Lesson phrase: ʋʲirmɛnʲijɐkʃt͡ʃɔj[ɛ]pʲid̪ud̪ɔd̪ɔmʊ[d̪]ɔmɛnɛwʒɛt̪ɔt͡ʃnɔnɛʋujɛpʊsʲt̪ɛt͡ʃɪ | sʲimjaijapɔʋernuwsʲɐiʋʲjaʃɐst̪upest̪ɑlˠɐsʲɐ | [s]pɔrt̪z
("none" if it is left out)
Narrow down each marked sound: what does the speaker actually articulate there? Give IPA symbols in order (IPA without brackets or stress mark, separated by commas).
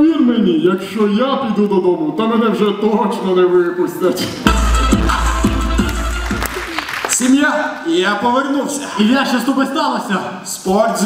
a, t̪, s